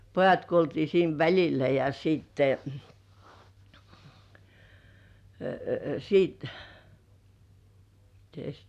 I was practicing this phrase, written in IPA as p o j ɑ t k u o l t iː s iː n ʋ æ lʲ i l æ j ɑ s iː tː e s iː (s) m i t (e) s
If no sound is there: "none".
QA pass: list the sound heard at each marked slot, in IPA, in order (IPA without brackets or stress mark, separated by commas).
t, e